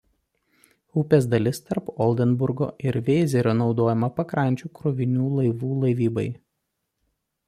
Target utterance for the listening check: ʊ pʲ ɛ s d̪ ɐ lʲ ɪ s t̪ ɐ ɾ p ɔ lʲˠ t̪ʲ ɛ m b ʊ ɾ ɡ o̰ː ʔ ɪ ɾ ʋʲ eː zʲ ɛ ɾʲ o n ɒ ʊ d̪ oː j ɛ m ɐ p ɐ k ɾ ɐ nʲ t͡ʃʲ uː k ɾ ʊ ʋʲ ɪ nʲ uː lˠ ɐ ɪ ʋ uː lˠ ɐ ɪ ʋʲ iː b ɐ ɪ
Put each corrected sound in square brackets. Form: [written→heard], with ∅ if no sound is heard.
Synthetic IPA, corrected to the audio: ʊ pʲ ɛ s d̪ ɐ lʲ ɪ s t̪ ɐ ɾ p ɔ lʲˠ [t̪ʲ→d̪ʲ] ɛ [m→n] b ʊ ɾ ɡ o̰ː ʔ ɪ ɾ ʋʲ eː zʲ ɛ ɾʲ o n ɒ ʊ d̪ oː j ɛ m ɐ p ɐ k ɾ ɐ nʲ t͡ʃʲ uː k ɾ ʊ ʋʲ ɪ nʲ uː lˠ ɐ ɪ ʋ uː lˠ ɐ ɪ ʋʲ iː b ɐ ɪ